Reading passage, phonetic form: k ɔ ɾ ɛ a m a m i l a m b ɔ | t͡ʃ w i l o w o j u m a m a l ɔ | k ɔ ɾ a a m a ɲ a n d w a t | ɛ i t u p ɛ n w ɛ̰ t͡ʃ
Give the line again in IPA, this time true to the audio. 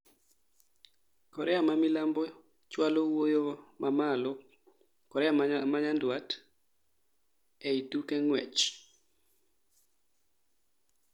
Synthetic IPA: k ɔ ɾ ɛ a m a m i l a m b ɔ | t͡ʃ w a l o w o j o m a m a l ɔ | k ɔ ɾ ɛ a m a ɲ a n d w a t | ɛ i t u k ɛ ŋ w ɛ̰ t͡ʃ